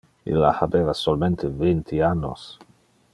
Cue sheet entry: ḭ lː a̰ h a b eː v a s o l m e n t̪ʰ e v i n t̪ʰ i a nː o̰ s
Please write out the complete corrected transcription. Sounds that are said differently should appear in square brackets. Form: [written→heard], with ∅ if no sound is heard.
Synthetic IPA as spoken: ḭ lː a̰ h a b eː v a s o l m e n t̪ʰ e v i n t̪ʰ i a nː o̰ s